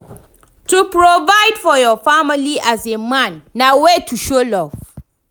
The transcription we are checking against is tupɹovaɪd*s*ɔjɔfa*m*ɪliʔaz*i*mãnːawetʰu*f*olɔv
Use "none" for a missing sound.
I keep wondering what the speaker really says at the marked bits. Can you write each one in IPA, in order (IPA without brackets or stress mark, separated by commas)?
f, m, e, ʃ